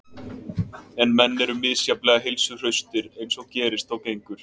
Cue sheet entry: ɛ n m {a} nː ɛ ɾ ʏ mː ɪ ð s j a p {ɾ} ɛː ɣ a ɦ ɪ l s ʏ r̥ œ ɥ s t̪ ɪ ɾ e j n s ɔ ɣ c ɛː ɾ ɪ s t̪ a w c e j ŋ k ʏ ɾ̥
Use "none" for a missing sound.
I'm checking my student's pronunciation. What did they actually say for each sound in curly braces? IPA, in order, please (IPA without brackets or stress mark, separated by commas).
ɛ, l